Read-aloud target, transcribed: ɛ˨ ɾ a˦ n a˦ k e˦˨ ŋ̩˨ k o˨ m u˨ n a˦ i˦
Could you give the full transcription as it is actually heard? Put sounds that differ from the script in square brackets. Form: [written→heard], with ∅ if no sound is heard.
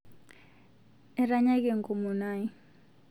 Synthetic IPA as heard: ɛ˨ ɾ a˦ [n→ɲ] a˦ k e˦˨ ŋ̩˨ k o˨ m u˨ n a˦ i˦

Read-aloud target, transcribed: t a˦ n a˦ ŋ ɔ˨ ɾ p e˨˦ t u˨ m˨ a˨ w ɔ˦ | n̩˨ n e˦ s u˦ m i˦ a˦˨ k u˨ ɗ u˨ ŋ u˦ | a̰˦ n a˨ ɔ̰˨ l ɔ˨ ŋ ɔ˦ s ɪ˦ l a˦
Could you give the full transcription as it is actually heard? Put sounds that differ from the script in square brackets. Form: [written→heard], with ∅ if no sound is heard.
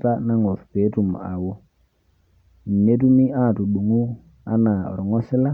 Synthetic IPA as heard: t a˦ n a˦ ŋ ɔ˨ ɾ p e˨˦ t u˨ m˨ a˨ w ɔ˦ | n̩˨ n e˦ [s→t] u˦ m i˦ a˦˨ [k→t] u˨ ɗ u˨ ŋ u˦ | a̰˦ n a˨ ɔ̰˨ [l→ɾ] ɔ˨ ŋ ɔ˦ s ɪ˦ l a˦

